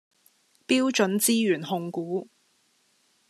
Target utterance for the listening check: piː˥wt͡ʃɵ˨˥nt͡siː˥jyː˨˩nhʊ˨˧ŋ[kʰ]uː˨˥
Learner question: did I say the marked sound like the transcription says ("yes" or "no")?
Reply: no